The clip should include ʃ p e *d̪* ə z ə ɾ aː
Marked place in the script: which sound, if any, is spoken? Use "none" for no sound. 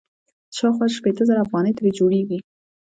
t̪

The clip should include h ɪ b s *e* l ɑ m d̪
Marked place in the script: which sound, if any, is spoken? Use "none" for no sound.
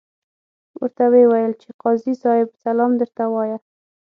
a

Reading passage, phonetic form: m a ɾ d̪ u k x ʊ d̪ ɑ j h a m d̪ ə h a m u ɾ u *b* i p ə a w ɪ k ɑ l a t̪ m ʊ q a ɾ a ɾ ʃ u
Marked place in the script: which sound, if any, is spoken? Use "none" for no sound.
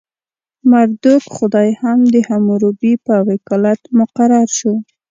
b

